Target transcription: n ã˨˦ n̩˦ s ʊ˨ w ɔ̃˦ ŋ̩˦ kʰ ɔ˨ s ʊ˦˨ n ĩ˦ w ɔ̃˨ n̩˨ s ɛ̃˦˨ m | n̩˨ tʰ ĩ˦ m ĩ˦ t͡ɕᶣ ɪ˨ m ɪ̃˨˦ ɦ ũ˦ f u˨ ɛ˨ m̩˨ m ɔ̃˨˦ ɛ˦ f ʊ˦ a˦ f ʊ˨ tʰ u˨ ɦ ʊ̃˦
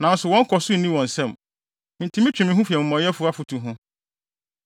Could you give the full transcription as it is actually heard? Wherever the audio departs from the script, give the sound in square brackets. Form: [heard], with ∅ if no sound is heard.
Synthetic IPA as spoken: n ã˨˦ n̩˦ s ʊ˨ w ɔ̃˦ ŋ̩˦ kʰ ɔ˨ s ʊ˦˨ n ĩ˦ w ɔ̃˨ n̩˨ s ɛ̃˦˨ m | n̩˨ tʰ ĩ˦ m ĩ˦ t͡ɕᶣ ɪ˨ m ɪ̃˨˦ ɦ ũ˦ f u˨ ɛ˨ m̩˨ m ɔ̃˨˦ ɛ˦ f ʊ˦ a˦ f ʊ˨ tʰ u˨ ɦ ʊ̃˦